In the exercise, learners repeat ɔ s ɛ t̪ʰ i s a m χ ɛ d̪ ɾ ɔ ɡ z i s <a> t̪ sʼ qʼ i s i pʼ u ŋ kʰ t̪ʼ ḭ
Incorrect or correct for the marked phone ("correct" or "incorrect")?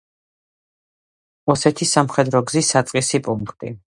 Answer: correct